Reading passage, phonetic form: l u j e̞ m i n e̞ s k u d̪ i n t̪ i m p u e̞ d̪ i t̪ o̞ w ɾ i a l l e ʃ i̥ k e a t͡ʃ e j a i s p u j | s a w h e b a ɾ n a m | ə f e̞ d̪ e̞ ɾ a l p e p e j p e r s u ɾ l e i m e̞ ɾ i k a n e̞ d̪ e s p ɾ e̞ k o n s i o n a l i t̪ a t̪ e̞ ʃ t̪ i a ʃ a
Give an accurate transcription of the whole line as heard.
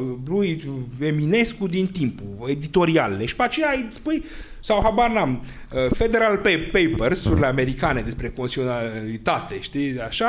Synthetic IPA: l u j e̞ m i n e̞ s k u d̪ i n t̪ i m p u e̞ d̪ i t̪ o̞ ɾ i a l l e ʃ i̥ p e a t͡ʃ e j a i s p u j | s a w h a b a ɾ n a m | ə f e̞ d̪ e̞ ɾ a l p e p e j p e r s u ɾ l e a m e̞ ɾ i k a n e̞ d̪ e s p ɾ e̞ k o n s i o n a l i t̪ a t̪ e̞ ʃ t̪ i a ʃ a